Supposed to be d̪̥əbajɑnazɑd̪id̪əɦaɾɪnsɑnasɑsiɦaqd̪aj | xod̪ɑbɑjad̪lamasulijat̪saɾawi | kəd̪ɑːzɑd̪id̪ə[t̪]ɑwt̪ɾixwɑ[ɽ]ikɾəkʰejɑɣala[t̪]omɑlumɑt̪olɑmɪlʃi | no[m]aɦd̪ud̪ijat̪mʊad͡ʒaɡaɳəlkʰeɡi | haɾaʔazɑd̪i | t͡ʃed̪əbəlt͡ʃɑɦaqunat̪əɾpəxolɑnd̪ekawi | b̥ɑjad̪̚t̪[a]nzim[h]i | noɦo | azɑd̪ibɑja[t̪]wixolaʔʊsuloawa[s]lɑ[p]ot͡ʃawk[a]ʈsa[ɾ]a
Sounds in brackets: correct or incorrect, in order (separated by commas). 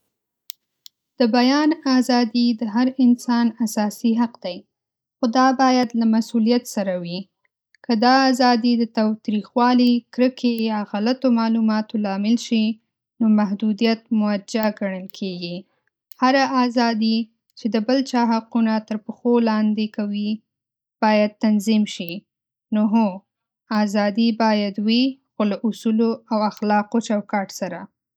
correct, incorrect, correct, correct, correct, incorrect, incorrect, incorrect, incorrect, incorrect, correct